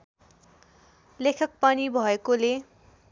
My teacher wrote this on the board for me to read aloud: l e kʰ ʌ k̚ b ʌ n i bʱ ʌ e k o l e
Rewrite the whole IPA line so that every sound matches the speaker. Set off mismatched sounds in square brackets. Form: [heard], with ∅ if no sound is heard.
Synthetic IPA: l e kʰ ʌ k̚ [p] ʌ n i bʱ ʌ e k o l e